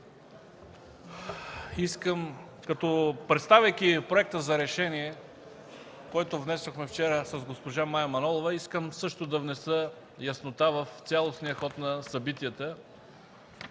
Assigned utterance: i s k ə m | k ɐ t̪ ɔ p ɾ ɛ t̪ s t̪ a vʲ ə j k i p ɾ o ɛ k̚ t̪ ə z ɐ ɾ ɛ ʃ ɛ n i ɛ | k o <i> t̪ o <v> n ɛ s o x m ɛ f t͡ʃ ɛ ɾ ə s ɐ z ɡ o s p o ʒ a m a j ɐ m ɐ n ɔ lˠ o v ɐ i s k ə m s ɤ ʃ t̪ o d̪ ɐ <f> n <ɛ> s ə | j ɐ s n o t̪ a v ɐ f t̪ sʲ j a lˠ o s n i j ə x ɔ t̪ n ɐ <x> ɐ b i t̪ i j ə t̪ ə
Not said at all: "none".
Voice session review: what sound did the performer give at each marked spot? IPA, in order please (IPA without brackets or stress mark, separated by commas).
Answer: ɛ, v, v, ɛ, s